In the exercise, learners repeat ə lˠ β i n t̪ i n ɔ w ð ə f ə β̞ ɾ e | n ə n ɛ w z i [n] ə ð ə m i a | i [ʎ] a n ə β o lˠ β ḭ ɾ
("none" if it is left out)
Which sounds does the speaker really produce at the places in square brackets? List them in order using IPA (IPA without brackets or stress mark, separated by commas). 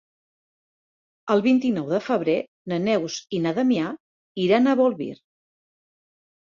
n, ɾ